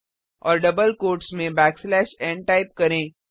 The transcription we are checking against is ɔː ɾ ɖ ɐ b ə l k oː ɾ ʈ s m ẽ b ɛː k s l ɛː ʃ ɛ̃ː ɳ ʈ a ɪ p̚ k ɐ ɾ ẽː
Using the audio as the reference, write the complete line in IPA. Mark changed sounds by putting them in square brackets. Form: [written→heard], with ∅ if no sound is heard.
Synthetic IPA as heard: ɔː ɾ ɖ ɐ b ə l k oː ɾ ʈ s m ẽ b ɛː k s l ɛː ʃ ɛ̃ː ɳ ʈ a ɪ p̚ k ɐ ɾ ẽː